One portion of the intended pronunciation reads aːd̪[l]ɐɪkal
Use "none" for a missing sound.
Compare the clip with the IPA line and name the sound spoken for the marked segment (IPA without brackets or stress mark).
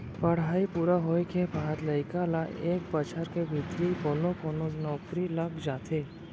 l